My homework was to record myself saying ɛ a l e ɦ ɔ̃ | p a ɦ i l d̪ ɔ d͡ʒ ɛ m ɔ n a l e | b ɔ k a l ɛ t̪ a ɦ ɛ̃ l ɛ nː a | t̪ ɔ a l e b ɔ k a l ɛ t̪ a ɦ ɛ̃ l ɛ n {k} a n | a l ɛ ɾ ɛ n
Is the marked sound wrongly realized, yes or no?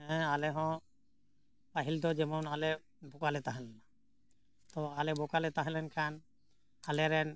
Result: yes